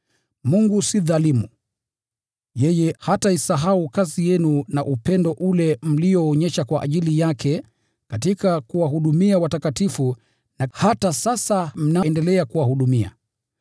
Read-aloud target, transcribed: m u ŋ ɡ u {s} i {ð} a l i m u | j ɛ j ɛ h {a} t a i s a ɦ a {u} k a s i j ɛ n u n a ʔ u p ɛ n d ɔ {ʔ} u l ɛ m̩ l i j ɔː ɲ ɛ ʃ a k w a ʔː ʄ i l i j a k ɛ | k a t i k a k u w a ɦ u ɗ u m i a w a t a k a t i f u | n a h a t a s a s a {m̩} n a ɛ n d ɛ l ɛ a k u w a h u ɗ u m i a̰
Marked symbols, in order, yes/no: yes, yes, yes, yes, yes, yes

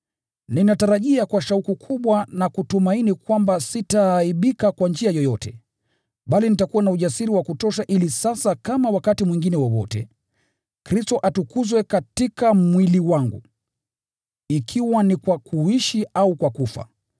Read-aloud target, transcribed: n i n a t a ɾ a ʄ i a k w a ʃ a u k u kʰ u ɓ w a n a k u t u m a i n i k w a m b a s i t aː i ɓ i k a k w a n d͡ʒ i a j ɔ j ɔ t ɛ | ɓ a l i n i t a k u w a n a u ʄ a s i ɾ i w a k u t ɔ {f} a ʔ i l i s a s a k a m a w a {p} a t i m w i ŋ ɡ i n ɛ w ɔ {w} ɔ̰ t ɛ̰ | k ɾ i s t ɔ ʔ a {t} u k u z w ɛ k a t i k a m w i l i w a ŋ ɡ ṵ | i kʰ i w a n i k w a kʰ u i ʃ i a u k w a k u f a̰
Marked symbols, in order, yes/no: no, no, yes, yes

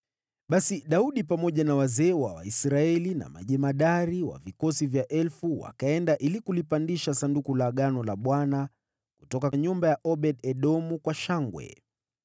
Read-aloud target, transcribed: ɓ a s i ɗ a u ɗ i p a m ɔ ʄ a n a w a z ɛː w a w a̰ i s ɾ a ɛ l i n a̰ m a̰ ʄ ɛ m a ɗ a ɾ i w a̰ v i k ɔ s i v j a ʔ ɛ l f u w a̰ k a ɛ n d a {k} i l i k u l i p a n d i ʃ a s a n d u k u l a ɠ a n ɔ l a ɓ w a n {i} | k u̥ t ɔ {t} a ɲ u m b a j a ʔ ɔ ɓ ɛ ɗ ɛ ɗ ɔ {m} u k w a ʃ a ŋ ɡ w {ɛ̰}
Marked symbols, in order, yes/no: no, no, no, yes, yes

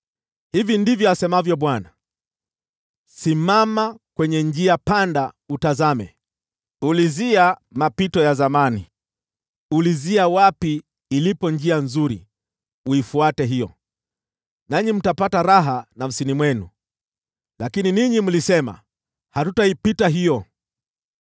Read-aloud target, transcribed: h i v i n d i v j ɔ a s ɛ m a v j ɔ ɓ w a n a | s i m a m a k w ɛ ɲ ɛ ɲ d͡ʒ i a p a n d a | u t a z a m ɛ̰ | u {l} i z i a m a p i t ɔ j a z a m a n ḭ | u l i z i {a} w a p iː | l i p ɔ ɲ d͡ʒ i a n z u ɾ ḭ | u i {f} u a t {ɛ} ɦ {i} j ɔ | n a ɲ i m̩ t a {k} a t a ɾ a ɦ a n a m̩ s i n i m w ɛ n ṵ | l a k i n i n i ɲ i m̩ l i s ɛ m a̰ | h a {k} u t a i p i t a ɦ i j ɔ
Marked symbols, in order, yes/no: yes, yes, yes, yes, yes, no, no

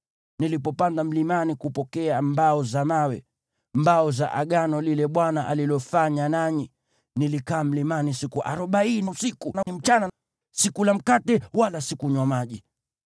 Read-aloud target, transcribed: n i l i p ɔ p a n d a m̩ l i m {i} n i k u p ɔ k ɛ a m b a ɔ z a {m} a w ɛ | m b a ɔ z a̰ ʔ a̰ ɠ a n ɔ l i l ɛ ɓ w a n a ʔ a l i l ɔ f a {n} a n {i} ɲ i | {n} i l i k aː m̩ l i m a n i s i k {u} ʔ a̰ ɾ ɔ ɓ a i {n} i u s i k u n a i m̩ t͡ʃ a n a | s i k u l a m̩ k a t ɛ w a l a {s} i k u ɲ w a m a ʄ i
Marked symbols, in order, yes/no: no, yes, no, no, yes, yes, yes, yes

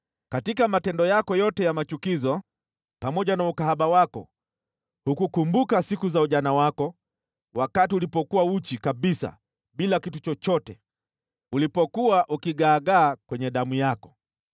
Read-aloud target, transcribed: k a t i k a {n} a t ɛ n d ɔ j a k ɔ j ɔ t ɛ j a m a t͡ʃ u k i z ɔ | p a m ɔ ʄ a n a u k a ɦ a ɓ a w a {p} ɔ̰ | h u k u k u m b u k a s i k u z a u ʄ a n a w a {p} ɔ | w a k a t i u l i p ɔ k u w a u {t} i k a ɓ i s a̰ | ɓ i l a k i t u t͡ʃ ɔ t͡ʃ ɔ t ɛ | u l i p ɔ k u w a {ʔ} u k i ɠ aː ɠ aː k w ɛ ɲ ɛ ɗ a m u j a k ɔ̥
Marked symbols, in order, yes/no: no, no, no, no, yes

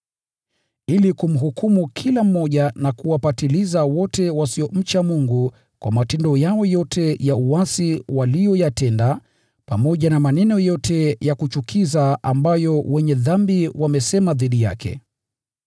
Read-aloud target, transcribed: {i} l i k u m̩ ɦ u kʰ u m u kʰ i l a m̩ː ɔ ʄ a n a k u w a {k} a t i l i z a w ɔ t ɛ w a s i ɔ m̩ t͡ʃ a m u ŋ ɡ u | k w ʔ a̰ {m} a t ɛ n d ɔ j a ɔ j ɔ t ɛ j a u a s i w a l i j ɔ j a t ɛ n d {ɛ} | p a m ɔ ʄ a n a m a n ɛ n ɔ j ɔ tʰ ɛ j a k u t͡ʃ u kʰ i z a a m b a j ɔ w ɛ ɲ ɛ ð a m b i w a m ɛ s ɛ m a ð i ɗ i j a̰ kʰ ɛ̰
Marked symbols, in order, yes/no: yes, no, yes, no

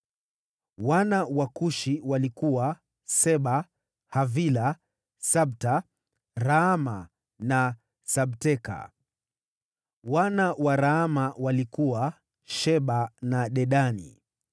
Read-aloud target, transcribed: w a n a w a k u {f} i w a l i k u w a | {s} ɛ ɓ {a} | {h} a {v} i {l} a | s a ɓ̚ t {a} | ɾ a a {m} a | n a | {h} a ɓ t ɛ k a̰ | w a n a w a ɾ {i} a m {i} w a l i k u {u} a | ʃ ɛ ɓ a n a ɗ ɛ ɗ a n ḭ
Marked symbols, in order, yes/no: no, yes, yes, yes, yes, yes, yes, yes, no, no, no, no

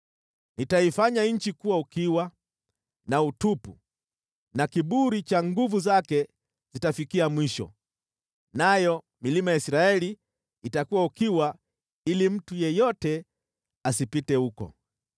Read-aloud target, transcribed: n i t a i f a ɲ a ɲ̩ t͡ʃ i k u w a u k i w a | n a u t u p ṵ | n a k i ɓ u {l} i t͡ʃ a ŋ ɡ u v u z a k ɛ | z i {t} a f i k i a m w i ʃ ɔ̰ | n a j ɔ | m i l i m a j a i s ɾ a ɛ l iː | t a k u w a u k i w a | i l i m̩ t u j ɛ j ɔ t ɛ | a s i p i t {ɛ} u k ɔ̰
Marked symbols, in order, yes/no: no, yes, yes

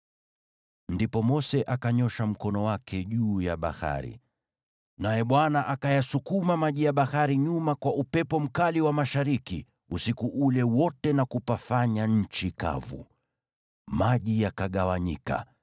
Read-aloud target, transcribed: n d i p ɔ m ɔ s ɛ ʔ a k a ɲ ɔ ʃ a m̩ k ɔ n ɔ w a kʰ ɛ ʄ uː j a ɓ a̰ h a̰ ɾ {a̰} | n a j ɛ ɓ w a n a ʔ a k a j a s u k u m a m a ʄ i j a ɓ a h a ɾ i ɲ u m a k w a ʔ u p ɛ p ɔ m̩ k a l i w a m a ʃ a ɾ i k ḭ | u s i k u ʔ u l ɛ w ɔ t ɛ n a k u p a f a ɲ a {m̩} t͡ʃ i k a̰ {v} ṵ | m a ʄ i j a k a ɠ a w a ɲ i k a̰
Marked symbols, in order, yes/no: no, no, yes

